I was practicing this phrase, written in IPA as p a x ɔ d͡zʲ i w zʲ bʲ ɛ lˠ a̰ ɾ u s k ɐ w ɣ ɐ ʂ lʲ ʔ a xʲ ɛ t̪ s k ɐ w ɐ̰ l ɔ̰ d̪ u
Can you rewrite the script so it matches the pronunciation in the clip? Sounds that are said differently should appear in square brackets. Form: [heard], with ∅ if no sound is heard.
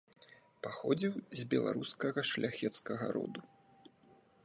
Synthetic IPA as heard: p a x ɔ d͡zʲ i w zʲ bʲ ɛ lˠ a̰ ɾ u s k ɐ [∅] ɣ ɐ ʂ lʲ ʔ a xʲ ɛ t̪ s k ɐ [ɣ] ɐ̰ [ɾ] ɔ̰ d̪ u